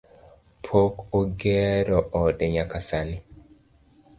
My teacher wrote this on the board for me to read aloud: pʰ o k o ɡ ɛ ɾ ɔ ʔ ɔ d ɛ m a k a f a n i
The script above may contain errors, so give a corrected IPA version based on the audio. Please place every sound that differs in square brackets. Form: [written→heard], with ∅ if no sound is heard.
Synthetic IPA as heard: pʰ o k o ɡ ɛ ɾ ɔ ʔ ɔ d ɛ [m→ɲ] a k a [f→s] a n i